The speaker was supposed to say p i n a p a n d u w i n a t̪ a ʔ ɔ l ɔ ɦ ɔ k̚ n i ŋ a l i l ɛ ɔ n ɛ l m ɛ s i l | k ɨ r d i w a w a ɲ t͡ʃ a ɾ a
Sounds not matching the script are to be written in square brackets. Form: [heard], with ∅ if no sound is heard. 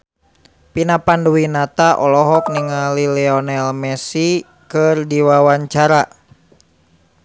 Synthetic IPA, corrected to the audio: p i n a p a n d u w i n a t̪ a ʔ ɔ l ɔ ɦ ɔ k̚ n i ŋ a l i l ɛ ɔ n ɛ l m ɛ s i [∅] | k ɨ r d i w a w a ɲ t͡ʃ a ɾ a